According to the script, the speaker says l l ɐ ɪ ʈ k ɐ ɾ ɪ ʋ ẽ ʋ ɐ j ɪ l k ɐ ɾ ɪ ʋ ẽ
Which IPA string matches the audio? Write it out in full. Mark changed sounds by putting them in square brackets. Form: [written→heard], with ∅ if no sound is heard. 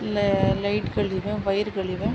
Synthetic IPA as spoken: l l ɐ ɪ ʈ k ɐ [ɾ→ɭ] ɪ ʋ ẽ ʋ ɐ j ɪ [l→ɾ] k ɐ [ɾ→ɭ] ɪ ʋ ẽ